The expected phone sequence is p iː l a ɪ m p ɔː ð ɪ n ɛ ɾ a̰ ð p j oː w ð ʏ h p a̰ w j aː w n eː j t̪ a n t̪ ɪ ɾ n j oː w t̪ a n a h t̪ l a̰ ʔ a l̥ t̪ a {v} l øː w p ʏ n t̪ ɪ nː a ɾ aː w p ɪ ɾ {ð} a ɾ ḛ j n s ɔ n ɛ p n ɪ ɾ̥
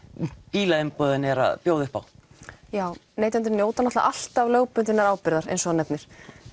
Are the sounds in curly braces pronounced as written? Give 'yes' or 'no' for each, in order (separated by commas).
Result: yes, yes